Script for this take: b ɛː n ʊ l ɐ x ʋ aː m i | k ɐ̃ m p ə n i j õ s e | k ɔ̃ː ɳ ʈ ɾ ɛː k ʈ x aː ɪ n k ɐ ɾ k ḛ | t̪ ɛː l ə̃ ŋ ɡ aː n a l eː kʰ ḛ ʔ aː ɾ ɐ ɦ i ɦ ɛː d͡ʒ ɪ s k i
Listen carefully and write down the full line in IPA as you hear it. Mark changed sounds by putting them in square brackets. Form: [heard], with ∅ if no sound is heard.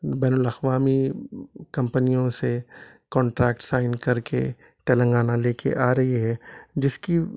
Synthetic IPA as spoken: b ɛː n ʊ l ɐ x ʋ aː m i | k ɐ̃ m p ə n i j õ s e | k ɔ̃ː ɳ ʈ ɾ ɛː k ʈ [s] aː ɪ n k ɐ ɾ k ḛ | t̪ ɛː l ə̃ ŋ ɡ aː n a l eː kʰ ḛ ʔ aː ɾ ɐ ɦ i ɦ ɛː d͡ʒ ɪ s k i